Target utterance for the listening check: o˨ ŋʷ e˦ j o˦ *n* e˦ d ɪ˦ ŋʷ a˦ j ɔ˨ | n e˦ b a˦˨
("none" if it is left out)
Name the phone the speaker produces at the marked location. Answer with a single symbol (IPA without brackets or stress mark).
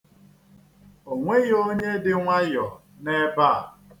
ɲ